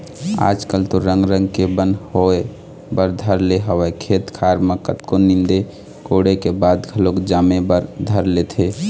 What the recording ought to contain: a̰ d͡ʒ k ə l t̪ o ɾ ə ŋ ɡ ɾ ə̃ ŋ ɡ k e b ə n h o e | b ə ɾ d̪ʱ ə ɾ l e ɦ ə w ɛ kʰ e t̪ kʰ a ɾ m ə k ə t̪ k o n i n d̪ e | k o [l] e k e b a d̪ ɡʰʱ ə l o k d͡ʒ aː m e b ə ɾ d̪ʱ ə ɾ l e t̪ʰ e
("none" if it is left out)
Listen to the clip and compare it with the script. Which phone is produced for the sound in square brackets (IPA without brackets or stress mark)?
ɽ